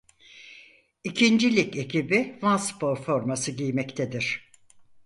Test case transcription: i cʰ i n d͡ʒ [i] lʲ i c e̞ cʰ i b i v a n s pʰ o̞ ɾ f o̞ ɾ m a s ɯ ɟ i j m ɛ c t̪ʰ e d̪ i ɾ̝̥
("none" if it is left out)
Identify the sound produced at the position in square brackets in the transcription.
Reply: i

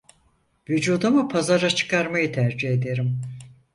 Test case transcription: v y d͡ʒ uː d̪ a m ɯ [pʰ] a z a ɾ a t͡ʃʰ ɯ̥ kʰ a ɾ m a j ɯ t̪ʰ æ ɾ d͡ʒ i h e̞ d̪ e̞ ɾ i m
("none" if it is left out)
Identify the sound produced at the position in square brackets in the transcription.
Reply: pʰ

